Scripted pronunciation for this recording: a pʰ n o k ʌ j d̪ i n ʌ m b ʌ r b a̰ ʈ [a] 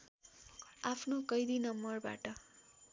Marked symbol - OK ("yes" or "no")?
no